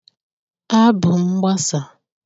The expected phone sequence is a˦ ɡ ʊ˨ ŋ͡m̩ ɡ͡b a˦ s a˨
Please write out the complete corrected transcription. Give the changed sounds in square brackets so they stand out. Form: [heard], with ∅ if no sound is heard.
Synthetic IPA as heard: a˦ [b] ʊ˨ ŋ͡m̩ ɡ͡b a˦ s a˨